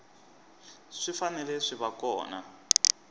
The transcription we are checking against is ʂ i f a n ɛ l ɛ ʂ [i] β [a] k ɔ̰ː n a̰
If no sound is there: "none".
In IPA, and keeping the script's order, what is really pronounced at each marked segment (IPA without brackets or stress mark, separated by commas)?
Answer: i, a